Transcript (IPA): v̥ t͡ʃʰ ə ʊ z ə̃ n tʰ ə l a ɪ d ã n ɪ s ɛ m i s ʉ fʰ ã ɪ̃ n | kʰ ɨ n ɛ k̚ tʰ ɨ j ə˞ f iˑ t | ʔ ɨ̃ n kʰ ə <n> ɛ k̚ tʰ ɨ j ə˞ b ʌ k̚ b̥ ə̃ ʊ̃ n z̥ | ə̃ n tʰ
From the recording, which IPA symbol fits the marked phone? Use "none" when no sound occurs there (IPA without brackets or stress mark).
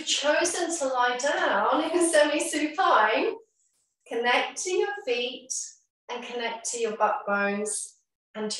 n